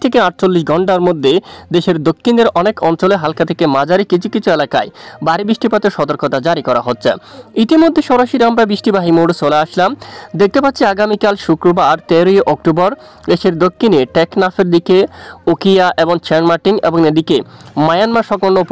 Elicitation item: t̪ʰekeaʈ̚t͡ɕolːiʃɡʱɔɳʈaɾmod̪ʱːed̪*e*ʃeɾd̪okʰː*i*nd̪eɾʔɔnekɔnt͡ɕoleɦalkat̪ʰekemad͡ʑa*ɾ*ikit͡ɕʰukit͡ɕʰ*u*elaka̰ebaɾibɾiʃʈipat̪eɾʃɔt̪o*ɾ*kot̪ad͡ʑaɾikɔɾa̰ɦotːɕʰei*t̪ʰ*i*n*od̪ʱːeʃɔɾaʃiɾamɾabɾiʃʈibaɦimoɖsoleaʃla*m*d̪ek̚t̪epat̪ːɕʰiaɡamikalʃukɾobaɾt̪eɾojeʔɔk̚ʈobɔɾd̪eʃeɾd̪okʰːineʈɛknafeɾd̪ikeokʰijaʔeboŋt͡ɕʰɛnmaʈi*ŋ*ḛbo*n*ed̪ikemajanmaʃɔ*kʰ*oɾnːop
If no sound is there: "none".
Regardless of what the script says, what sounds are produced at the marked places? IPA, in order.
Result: e, i, ɾ, u, ɾ, t̪, m, m, ŋ, ŋ, k

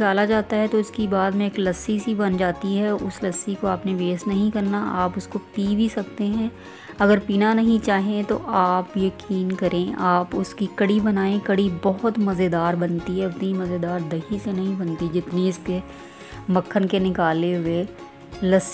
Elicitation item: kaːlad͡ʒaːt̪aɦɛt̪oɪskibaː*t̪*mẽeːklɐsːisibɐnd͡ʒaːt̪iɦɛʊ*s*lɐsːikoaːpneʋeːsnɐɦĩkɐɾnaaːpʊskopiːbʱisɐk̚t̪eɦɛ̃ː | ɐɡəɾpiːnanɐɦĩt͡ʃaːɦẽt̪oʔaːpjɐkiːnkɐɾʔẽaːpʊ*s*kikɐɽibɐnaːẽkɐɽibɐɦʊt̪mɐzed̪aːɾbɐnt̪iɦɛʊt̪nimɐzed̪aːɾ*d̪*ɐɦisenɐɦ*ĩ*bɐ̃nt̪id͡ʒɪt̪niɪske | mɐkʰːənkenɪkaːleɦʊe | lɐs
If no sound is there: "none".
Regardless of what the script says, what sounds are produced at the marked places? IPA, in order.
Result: d̪, s, s, d̪, ĩ

